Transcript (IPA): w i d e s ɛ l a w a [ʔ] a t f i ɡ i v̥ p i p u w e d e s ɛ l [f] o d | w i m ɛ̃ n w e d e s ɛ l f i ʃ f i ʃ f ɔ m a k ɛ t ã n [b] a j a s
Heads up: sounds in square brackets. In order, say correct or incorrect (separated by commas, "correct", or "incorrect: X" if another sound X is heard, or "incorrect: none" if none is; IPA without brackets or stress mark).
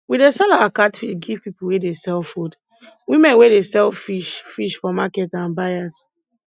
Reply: incorrect: k, correct, correct